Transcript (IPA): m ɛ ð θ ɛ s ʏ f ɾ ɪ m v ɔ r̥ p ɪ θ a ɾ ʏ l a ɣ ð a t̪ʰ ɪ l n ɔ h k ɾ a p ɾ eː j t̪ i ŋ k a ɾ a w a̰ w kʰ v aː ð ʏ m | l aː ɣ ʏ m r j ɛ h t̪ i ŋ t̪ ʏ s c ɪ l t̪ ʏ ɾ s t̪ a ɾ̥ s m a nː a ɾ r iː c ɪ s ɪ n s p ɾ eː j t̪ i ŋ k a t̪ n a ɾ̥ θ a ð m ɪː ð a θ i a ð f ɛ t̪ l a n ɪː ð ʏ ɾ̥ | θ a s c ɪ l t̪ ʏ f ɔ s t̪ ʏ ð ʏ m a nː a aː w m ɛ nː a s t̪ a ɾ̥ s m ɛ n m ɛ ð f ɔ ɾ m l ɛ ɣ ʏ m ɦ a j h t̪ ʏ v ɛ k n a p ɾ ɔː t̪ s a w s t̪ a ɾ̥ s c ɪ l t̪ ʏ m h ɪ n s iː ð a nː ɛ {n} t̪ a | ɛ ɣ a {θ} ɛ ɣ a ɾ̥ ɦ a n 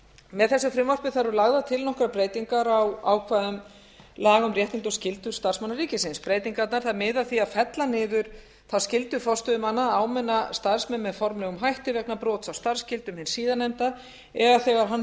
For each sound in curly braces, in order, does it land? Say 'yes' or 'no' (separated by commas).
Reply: no, yes